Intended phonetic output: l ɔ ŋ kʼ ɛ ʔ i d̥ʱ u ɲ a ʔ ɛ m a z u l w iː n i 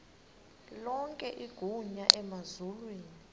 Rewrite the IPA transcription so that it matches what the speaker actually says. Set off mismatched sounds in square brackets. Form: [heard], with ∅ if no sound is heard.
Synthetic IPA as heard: l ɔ ŋ kʼ ɛ ʔ i [ɡ̥ʱ] u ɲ a ʔ ɛ m a z u l w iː n i

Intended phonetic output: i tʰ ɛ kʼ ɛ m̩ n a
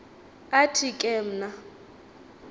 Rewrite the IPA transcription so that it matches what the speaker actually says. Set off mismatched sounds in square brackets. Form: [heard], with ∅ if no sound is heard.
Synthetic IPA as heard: [a] tʰ [i] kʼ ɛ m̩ n a

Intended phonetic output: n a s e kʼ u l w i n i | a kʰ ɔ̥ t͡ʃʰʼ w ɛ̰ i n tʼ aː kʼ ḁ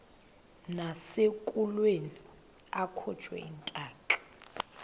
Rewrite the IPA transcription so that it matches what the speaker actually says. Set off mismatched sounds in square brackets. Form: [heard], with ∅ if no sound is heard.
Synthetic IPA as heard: n a s e kʼ u l w [e] n i | a kʰ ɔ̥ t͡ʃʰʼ w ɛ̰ i n tʼ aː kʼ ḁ

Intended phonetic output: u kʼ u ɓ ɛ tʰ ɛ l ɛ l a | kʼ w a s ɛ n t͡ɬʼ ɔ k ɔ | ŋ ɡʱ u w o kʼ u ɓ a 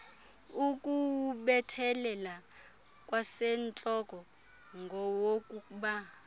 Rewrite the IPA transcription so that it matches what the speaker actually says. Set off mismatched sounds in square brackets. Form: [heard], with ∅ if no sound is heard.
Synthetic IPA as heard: u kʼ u ɓ ɛ tʰ ɛ l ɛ l a | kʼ w a s ɛ n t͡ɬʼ ɔ k ɔ | ŋ ɡʱ [ɔ] w o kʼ u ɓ a

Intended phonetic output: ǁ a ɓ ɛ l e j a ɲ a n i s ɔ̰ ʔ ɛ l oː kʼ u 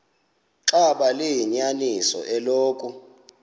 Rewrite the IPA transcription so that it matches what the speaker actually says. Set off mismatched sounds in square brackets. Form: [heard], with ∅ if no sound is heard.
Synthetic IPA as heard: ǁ a ɓ [a] l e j [i] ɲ a n i s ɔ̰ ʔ ɛ l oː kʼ u

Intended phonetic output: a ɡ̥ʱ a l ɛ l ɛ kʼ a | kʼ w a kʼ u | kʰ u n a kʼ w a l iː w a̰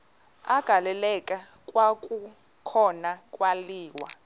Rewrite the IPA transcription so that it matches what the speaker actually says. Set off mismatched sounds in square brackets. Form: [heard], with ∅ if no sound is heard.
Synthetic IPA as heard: a ɡ̥ʱ a l ɛ l ɛ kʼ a | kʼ w a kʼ u | kʰ [ɔ] n a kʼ w a l iː w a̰

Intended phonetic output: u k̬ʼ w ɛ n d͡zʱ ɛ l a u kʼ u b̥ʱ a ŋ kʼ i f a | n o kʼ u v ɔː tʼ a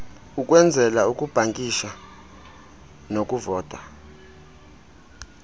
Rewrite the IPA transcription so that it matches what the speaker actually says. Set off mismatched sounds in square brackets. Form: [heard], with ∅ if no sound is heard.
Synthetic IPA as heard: u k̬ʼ w ɛ n d͡zʱ ɛ l a u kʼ u b̥ʱ a ŋ kʼ i [ʃ] a | n o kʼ u v ɔː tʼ a

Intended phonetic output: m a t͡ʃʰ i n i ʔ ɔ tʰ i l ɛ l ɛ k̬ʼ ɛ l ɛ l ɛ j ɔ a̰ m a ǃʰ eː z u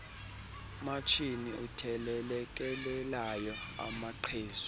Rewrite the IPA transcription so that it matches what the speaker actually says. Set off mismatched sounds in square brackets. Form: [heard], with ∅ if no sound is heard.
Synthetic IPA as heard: m a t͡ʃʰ i n i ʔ [u] tʰ [ɛ] l ɛ l ɛ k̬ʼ ɛ l ɛ l [a] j ɔ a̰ m a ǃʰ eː z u

